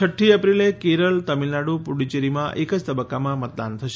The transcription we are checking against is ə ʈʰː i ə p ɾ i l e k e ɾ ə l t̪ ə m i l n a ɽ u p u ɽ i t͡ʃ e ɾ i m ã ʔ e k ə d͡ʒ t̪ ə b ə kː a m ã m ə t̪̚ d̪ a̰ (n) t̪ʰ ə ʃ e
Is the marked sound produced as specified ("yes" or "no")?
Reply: yes